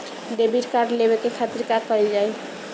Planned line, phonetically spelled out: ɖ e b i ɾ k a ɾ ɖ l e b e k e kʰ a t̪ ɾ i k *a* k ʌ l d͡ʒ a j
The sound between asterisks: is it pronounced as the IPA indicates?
yes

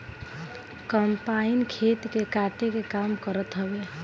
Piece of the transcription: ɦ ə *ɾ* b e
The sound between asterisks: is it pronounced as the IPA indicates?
no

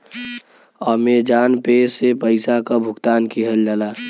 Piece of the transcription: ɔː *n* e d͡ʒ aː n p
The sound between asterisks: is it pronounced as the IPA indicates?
no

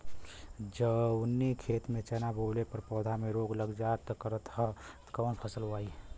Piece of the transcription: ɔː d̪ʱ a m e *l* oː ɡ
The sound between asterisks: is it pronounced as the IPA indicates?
no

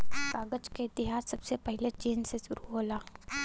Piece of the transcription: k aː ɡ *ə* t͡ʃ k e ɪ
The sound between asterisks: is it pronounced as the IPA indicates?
yes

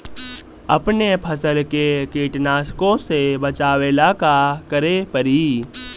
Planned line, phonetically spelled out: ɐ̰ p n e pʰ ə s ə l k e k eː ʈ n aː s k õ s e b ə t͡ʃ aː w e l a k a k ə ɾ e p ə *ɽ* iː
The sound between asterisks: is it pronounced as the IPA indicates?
no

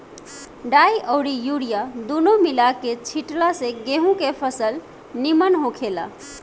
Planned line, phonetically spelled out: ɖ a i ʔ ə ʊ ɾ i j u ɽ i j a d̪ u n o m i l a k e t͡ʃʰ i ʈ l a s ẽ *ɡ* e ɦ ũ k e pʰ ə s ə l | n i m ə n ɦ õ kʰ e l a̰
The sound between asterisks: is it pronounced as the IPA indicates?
yes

